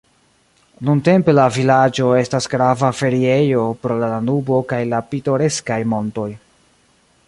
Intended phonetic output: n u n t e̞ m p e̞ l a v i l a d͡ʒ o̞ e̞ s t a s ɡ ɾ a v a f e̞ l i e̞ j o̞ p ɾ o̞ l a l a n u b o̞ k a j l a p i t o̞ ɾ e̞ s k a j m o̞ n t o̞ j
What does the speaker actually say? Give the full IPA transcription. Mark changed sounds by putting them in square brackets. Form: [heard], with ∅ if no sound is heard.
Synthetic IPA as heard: n u n t e̞ m p e̞ l a v i l a d͡ʒ o̞ e̞ s t a s ɡ ɾ a v a f e̞ [ɾ] i e̞ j o̞ p ɾ o̞ l a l a n u b o̞ k a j l a p i t o̞ ɾ e̞ s k a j m o̞ n t o̞ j

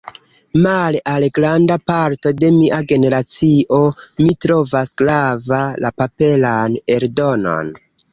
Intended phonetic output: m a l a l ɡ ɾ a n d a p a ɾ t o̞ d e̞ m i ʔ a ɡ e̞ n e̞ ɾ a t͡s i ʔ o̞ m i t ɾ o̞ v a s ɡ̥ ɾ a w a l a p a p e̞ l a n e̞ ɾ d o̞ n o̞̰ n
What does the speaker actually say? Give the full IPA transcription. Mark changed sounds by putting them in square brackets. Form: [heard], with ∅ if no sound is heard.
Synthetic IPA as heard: m a l a l ɡ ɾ a n d a p a ɾ t o̞ d e̞ m i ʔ a ɡ e̞ n e̞ ɾ a t͡s i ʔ o̞ m i t ɾ o̞ v a s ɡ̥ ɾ a [v] a l a p a p e̞ l a n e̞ ɾ d o̞ n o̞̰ n

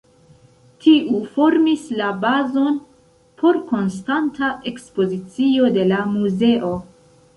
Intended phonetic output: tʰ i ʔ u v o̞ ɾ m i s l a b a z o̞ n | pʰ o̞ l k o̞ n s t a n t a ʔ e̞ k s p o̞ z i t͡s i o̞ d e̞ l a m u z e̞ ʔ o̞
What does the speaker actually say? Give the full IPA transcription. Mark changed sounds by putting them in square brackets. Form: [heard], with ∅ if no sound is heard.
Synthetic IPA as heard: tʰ i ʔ u [f] o̞ ɾ m i s l a b a z o̞ n | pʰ o̞ [ɾ] k o̞ n s t a n t a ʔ e̞ k s p o̞ z i t͡s i o̞ d e̞ l a m u z e̞ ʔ o̞

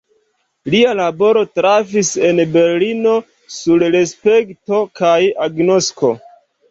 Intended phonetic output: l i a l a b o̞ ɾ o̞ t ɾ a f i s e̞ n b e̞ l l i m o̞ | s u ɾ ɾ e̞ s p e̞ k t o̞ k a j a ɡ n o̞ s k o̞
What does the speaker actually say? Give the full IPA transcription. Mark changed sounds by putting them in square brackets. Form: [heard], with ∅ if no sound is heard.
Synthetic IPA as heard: l i a l a b o̞ ɾ o̞ t ɾ a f i s e̞ n b e̞ [ɾ] l i [n] o̞ | s u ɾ ɾ e̞ s p e̞ k t o̞ k a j a ɡ n o̞ s k o̞

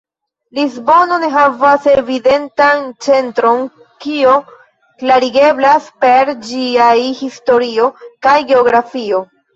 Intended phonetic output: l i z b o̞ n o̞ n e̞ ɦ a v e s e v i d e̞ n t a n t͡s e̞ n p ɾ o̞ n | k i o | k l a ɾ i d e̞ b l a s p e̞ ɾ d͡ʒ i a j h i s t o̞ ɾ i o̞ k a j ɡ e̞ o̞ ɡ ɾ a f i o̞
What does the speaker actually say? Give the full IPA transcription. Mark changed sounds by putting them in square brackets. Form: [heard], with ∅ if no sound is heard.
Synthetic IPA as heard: l i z b o̞ n o̞ n e̞ ɦ a v [a] s e v i d e̞ n t a n t͡s e̞ n [t] ɾ o̞ n | k i o | k l a ɾ i [ɡ] e̞ b l a s p e̞ ɾ d͡ʒ i a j h i s t o̞ ɾ i o̞ k a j ɡ e̞ o̞ ɡ ɾ a f i o̞

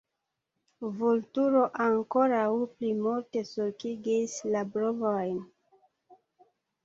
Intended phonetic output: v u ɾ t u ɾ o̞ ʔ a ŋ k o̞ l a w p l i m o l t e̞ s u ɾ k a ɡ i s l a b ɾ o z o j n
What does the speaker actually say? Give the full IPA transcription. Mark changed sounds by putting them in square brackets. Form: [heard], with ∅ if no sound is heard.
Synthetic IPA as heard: v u [l] t u ɾ o̞ ʔ a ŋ k o̞ [ɾ] a w p l i m [u] l t e̞ s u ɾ k [i] ɡ i s l a b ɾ o [v] o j n

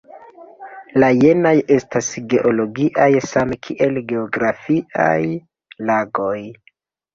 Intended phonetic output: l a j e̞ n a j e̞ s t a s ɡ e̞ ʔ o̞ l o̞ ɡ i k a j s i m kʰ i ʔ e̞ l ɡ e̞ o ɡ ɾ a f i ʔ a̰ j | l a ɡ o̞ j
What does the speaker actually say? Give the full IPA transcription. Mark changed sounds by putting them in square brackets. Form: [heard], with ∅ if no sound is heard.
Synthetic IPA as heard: l a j e̞ n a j e̞ s t a s ɡ e̞ ʔ o̞ l o̞ ɡ i [ʔ] a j s [a] m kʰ i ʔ e̞ l ɡ e̞ o ɡ ɾ a f i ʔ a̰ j | l a ɡ o̞ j

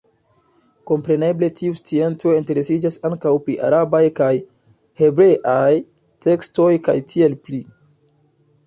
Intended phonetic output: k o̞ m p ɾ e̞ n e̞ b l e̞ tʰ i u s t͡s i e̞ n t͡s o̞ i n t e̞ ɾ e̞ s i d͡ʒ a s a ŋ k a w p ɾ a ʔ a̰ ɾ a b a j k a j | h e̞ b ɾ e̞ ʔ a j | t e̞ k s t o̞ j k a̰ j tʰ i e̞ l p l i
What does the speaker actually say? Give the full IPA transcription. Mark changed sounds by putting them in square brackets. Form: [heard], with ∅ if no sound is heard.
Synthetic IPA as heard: k o̞ m p ɾ e̞ n e̞ b l e̞ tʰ i u s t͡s i e̞ n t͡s o̞ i n t e̞ ɾ e̞ s i d͡ʒ a s a ŋ k a w p ɾ [i] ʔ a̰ ɾ a b a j k a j | h e̞ b ɾ e̞ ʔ a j | t e̞ k s t o̞ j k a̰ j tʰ i e̞ l p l i

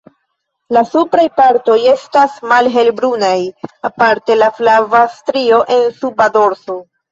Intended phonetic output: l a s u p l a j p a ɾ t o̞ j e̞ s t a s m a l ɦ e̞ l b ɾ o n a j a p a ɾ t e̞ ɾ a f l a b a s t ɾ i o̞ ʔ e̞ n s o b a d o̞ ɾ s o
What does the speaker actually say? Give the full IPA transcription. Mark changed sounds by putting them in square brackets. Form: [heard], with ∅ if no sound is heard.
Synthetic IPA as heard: l a s u p [ɾ] a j p a ɾ t o̞ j e̞ s t a s m a l ɦ e̞ l b ɾ [u] n a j a p a ɾ t e̞ [l] a f l a [v] a s t ɾ i o̞ ʔ e̞ n s [u] b a d o̞ ɾ s o

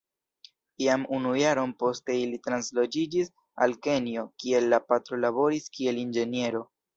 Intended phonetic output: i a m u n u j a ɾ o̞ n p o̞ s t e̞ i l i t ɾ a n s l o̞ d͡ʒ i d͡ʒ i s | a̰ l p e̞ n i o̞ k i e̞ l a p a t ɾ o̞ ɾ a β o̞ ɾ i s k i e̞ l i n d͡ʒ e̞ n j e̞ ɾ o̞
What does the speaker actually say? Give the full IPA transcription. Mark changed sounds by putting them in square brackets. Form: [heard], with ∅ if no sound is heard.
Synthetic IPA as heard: i a m u n u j a ɾ o̞ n p o̞ s t e̞ i l i t ɾ a n s l o̞ d͡ʒ i d͡ʒ i s | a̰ l [k] e̞ n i o̞ k i e̞ [lː] a p a t ɾ o̞ [l] a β o̞ ɾ i s k i e̞ l i n d͡ʒ e̞ n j e̞ ɾ o̞

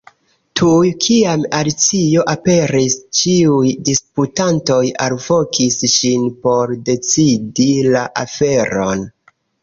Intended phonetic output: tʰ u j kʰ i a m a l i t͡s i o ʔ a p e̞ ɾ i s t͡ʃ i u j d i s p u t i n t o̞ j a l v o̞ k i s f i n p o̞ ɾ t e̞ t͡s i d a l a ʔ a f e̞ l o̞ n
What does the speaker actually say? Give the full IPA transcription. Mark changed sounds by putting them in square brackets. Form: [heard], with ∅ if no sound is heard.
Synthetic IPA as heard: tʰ u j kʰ i a m a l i t͡s i o ʔ a p e̞ ɾ i s t͡ʃ i u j d i s p u t [a] n t o̞ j a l v o̞ k i s [ʃ] i n p o̞ ɾ [d] e̞ t͡s i d [i] l a ʔ a f e̞ [ɾ] o̞ n

